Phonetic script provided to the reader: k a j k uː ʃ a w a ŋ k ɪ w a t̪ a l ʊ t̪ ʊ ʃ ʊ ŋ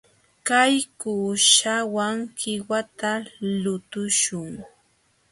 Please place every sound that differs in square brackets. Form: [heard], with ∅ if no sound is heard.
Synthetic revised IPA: k a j k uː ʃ a w a ŋ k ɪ w a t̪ a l ʊ t̪ ʊ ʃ ʊ ŋ